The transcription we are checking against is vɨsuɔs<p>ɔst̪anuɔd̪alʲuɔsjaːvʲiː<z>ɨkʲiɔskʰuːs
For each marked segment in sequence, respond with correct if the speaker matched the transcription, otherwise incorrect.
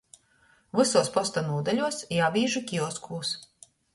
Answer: correct, incorrect

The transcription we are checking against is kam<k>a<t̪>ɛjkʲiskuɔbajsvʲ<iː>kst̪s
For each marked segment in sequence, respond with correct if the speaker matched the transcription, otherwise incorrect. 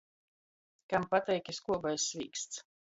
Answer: incorrect, correct, correct

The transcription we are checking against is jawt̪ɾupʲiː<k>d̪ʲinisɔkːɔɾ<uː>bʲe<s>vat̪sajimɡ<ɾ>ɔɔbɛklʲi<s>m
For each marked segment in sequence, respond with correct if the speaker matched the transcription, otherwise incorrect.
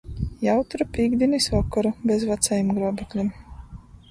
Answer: incorrect, incorrect, incorrect, correct, incorrect

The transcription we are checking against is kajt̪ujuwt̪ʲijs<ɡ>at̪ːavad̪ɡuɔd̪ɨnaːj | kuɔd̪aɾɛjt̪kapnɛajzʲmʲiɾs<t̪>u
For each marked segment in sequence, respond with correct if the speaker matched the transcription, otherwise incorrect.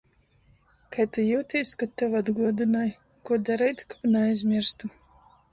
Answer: incorrect, correct

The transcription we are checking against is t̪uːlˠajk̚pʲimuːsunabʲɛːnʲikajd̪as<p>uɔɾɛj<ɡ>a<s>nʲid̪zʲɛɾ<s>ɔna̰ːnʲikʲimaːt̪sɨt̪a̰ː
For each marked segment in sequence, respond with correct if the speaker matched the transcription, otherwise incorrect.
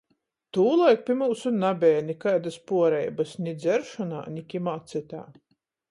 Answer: correct, incorrect, correct, incorrect

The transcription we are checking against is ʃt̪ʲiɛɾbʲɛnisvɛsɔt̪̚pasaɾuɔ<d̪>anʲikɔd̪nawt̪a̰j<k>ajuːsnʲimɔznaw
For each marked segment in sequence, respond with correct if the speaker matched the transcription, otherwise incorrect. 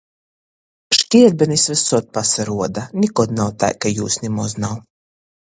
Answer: correct, correct

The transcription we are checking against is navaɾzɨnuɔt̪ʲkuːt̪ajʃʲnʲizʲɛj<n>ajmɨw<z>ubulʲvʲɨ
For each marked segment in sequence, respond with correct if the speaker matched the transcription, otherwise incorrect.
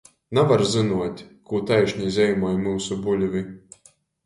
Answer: incorrect, incorrect

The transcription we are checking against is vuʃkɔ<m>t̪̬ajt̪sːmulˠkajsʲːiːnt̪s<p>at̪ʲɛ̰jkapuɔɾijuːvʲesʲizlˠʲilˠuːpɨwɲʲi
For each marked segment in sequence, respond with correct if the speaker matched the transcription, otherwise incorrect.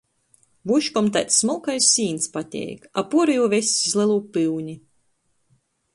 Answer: correct, correct

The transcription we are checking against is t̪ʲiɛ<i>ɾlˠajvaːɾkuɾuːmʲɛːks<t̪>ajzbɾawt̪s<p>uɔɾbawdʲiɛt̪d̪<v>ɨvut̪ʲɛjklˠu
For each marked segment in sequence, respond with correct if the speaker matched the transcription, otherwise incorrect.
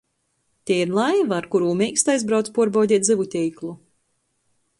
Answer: correct, correct, correct, incorrect

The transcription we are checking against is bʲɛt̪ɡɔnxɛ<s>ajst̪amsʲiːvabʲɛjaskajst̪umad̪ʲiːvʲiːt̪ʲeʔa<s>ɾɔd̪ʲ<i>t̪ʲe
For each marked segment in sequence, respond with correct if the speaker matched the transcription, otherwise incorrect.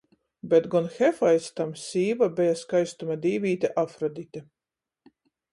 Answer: incorrect, incorrect, correct

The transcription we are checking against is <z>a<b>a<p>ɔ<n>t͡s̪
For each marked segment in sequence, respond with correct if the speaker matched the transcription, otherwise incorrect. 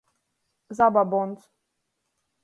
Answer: correct, correct, incorrect, correct

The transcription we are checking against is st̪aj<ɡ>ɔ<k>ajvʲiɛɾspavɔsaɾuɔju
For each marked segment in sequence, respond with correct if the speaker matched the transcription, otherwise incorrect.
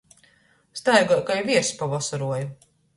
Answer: correct, correct

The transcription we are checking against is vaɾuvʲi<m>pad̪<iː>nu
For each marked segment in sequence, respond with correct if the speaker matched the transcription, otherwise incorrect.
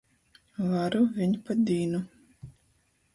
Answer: incorrect, correct

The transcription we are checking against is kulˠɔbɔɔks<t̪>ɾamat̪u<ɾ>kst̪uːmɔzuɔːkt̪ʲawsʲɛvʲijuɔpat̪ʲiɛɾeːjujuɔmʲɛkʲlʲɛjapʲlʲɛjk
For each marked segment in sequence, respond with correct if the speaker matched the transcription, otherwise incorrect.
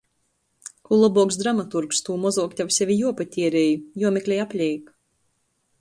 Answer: incorrect, correct

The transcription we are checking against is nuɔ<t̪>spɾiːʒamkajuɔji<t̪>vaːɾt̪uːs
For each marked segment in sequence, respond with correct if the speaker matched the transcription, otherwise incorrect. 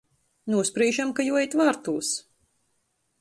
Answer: incorrect, correct

